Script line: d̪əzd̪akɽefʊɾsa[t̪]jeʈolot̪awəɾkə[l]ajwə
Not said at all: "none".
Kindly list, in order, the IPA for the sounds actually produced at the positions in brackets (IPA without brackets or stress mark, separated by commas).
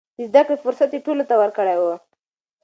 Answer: t̪, ɽ